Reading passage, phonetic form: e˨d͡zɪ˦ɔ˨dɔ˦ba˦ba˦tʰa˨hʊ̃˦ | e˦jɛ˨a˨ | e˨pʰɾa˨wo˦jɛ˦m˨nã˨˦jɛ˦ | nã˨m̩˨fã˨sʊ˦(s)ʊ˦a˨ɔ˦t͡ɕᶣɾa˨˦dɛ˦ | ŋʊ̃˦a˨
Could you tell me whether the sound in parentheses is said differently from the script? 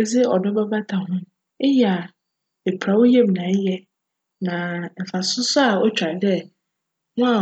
no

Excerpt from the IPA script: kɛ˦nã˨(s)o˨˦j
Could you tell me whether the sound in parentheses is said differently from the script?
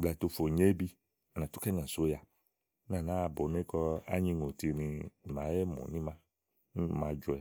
no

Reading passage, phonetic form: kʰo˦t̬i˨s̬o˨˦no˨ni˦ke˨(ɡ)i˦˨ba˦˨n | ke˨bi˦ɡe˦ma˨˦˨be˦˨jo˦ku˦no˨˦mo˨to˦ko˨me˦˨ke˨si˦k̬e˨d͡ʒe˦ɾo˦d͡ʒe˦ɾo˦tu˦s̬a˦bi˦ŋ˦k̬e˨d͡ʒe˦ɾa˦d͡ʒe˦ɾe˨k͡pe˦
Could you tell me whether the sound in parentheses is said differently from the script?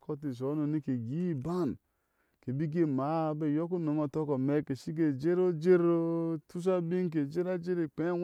no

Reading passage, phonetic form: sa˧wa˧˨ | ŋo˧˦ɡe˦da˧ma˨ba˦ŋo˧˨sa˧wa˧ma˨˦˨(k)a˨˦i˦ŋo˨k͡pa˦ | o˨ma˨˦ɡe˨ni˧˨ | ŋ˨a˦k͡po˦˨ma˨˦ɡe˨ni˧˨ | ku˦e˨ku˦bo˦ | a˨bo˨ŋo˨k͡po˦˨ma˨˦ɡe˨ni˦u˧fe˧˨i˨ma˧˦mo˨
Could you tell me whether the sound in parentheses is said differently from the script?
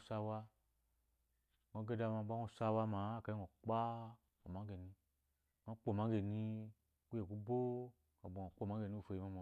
no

